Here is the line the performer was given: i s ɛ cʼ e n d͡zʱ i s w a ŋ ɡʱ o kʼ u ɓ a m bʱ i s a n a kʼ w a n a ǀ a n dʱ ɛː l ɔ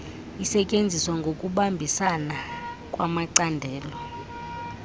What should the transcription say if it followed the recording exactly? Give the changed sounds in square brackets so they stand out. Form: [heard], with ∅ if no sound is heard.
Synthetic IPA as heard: i s ɛ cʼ e n d͡zʱ i s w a ŋ ɡʱ o kʼ u ɓ a m bʱ i s a n a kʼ w a [m] a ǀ a n dʱ ɛː l ɔ